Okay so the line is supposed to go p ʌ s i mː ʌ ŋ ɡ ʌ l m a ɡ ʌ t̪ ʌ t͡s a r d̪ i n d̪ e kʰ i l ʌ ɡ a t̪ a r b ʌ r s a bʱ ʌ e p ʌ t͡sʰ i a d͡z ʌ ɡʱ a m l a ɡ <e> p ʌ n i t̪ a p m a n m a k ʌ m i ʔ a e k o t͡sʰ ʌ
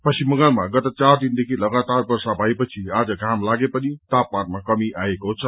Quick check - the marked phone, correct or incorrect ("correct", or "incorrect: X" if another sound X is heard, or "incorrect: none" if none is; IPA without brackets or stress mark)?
correct